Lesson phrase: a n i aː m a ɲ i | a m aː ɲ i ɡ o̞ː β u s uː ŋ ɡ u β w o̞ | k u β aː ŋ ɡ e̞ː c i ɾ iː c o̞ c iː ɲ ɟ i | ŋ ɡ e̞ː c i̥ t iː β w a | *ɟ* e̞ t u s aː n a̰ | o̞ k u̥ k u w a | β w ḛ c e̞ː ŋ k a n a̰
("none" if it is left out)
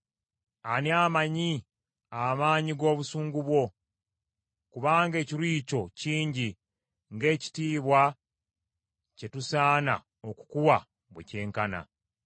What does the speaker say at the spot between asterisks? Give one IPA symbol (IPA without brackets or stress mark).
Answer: c